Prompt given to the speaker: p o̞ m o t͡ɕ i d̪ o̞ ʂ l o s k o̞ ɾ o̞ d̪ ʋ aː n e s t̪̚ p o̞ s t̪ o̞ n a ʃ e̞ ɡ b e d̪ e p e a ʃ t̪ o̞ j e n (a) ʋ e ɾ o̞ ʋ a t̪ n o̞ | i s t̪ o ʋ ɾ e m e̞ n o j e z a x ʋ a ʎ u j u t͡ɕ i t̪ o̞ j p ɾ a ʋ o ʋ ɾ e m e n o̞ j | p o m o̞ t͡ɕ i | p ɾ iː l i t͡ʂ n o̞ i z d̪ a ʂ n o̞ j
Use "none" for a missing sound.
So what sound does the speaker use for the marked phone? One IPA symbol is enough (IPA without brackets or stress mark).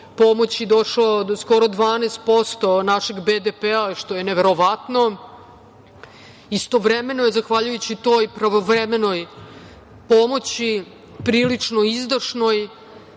e